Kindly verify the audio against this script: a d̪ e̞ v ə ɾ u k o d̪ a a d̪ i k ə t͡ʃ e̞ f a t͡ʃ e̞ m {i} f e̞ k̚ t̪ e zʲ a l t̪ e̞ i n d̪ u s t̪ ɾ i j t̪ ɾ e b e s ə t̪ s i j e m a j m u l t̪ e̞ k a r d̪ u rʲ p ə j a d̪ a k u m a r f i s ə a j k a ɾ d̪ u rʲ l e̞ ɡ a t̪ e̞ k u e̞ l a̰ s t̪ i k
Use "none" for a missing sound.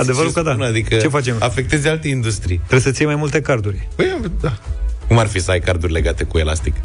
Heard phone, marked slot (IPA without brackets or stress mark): a